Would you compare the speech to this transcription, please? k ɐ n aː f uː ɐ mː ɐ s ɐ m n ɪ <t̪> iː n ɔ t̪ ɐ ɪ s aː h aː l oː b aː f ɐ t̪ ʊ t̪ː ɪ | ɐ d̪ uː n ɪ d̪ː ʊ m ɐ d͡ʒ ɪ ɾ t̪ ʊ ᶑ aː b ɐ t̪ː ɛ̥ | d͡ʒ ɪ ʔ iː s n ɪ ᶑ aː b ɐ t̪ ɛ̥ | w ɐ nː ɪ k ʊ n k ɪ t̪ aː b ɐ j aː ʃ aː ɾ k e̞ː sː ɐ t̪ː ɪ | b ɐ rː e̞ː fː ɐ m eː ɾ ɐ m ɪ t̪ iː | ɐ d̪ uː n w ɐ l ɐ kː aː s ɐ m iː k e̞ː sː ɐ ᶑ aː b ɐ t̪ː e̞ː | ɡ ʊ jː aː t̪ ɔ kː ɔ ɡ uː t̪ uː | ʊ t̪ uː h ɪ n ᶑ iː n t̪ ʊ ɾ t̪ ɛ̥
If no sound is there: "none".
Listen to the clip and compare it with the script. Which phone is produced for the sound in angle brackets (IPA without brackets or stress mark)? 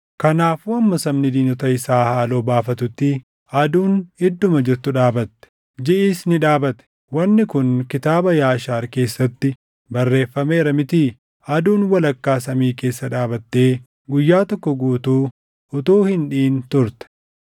d̪